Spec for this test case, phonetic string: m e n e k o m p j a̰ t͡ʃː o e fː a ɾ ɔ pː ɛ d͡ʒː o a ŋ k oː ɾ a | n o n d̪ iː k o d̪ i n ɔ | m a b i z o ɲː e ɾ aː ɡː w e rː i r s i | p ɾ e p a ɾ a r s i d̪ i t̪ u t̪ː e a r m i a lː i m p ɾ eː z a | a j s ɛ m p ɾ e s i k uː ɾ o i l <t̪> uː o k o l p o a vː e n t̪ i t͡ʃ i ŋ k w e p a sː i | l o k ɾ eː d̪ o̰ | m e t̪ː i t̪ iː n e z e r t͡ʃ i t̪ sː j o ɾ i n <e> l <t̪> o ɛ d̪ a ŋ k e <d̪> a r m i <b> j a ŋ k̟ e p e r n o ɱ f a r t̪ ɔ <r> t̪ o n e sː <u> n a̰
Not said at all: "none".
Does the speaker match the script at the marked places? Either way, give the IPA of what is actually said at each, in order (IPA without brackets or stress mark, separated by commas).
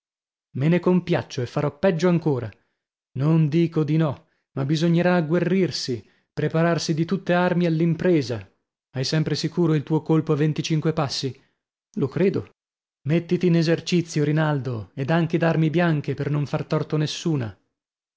t̪, a, d̪, d̪, b, r, uː